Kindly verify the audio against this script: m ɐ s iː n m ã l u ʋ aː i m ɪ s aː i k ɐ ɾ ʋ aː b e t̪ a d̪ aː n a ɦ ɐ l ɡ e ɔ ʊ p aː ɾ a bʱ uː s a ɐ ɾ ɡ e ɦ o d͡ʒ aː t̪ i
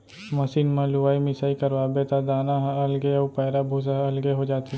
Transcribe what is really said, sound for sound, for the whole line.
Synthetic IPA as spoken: m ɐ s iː n m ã l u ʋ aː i m ɪ s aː i k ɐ ɾ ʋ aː b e t̪ a d̪ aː n a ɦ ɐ l ɡ e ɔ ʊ p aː ɾ a bʱ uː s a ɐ l ɡ e ɦ o d͡ʒ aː t̪ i